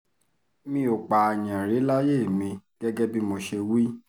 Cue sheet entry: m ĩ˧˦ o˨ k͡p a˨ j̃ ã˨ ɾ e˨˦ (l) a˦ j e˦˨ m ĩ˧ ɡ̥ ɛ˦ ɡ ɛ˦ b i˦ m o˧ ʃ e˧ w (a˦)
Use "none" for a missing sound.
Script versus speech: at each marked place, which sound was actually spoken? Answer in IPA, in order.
l, i˦

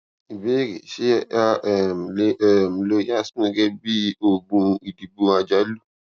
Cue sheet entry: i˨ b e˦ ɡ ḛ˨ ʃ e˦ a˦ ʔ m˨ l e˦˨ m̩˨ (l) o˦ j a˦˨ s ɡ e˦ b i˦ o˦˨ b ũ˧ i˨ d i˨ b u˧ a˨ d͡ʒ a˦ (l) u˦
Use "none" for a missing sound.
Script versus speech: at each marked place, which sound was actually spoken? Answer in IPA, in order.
l, l

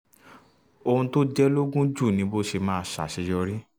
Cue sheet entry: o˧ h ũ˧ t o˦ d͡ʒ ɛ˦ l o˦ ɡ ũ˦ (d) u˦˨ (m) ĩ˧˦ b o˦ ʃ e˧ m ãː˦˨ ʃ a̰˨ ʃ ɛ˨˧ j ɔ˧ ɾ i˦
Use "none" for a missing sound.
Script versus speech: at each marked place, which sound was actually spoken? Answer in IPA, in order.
d͡ʒ, n

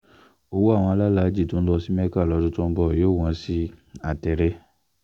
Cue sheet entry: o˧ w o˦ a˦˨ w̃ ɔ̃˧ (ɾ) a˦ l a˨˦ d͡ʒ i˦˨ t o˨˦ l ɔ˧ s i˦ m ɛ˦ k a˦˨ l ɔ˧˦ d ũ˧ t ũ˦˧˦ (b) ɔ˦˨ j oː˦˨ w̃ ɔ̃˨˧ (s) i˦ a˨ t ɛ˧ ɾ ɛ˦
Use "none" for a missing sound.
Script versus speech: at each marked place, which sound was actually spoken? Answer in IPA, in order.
l, b, s

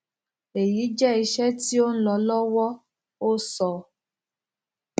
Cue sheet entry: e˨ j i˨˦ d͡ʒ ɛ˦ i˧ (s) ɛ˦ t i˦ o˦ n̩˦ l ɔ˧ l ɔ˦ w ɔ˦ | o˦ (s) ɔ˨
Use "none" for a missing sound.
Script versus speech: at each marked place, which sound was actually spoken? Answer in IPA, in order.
ʃ, s

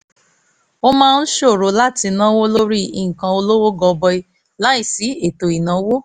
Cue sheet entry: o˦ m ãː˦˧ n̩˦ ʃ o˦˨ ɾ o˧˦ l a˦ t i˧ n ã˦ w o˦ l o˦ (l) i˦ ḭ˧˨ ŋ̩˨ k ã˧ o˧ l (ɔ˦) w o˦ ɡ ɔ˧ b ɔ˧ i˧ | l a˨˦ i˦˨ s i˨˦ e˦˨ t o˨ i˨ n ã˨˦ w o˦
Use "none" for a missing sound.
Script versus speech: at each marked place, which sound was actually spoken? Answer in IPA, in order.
ɾ, o˦

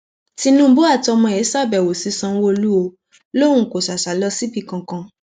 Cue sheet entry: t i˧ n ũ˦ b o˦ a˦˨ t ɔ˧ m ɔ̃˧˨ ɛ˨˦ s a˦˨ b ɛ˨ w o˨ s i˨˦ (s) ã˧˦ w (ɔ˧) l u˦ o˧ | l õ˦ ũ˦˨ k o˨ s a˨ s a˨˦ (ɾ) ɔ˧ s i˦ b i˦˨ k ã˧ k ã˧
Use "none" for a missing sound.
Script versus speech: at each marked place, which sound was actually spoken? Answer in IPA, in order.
s, o˧, l

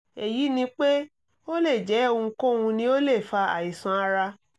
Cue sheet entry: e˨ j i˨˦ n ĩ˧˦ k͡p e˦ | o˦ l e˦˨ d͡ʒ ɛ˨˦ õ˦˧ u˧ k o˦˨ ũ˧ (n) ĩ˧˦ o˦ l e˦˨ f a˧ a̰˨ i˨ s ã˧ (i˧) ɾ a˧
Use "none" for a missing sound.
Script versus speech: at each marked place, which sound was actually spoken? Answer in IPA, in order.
n, a˧

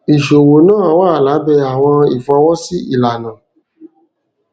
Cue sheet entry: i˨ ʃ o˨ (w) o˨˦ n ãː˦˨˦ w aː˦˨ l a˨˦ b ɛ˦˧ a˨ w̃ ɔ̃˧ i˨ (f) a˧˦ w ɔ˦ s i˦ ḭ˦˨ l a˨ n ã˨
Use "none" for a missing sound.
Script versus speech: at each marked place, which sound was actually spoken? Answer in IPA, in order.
w, f

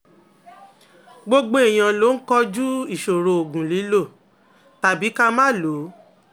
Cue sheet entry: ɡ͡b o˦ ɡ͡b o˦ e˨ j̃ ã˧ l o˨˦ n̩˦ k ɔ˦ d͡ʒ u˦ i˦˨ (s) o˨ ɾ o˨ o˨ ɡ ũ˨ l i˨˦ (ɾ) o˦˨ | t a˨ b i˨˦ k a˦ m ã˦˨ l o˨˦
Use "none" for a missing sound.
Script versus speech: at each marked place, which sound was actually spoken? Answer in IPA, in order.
ʃ, l

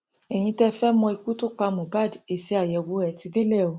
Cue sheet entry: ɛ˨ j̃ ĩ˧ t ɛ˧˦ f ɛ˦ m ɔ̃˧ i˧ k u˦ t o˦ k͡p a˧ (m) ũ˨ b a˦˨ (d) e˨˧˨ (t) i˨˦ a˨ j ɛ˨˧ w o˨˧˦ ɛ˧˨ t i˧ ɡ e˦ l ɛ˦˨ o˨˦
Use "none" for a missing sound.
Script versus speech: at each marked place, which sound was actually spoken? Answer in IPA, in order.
m, d, s

